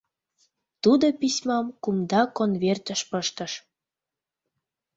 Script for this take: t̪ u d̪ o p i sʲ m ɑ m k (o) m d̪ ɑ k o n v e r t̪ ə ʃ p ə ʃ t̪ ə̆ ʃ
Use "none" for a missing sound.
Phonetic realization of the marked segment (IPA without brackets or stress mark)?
u